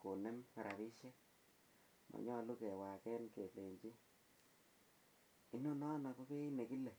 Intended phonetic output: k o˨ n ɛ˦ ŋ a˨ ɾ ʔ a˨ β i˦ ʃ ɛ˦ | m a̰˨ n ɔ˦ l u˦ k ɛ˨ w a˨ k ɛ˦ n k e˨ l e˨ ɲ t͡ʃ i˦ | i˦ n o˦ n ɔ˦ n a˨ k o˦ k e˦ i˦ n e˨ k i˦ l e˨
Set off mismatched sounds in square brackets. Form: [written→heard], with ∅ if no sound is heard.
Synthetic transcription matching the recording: k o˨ n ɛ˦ [ŋ→m] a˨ ɾ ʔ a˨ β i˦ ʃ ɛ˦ | m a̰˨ [n→ɲ] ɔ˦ l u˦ k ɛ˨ w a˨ k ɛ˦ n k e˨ l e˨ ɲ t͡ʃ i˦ | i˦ n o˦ n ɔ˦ n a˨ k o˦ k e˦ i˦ n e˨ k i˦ l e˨